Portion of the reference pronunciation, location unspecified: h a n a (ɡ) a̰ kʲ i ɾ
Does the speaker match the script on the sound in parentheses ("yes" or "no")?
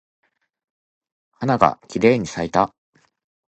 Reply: yes